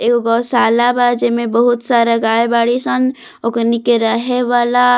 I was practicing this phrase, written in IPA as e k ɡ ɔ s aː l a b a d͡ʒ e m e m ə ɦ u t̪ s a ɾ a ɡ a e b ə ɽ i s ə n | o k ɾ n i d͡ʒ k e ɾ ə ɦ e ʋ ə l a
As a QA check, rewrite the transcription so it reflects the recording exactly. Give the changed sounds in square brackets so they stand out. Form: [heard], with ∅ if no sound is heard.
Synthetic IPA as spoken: e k ɡ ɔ s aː l a b a d͡ʒ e m e [b] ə ɦ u t̪ s a ɾ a ɡ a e b [a] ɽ i s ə n | o k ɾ n i [∅] k e ɾ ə ɦ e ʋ [a] l a